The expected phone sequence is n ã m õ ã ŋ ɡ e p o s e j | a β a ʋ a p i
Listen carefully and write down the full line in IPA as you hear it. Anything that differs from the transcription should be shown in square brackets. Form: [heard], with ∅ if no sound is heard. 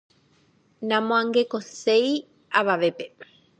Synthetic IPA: n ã m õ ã ŋ ɡ e [k] o s e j | a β a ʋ [e] p [e]